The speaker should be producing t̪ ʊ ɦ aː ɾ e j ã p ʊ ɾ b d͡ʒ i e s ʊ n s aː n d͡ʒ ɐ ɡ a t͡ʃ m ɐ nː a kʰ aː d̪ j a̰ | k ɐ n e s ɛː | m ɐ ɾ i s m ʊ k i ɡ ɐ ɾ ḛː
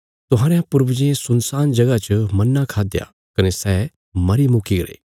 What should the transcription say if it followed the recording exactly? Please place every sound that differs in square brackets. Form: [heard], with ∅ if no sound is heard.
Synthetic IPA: t̪ ʊ ɦ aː ɾ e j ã p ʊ ɾ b d͡ʒ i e s ʊ n s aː n d͡ʒ ɐ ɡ a t͡ʃ m ɐ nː a kʰ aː d̪ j a̰ | k ɐ n e s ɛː | m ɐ ɾ i [∅] m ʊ k i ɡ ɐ ɾ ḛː